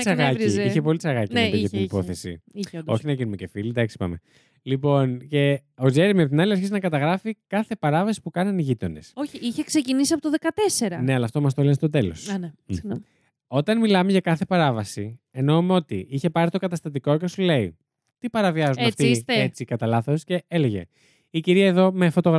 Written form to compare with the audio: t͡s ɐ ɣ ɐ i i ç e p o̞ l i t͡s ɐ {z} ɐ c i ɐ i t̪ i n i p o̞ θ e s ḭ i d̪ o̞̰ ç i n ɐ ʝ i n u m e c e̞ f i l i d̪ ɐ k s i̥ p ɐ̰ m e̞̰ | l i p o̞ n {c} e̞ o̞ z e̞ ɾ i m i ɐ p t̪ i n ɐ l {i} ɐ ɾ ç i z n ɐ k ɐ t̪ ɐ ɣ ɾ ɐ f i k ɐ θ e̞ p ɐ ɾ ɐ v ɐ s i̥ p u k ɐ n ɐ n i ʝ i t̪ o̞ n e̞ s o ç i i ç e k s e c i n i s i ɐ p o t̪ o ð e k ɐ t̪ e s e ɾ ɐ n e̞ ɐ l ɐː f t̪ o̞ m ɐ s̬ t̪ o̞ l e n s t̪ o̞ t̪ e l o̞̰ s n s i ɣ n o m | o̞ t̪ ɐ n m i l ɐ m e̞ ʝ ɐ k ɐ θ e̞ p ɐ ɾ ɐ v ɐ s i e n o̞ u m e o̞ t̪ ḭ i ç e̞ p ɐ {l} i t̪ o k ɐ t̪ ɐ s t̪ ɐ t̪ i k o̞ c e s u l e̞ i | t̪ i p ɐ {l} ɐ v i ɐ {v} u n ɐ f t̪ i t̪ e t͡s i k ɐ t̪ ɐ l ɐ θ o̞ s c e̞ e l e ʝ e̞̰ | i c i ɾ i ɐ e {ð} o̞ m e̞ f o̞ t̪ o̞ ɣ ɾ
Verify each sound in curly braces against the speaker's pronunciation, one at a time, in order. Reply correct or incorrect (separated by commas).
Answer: incorrect, correct, correct, incorrect, incorrect, incorrect, correct